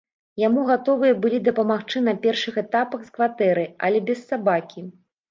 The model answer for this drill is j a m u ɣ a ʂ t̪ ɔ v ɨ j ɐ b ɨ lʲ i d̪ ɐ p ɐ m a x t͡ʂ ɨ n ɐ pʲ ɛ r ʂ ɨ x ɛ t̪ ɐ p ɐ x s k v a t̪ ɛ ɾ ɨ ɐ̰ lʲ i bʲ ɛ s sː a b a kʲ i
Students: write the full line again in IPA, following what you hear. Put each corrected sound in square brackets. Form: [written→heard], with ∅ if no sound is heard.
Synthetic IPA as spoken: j a m u ɣ a [ʂ→∅] t̪ ɔ v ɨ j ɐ b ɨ lʲ i d̪ ɐ p ɐ m a x t͡ʂ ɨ n ɐ pʲ ɛ r ʂ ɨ x ɛ t̪ [ɐ→a] p ɐ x s k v a t̪ ɛ ɾ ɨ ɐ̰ lʲ [i→ɛ] bʲ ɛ s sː a b a kʲ i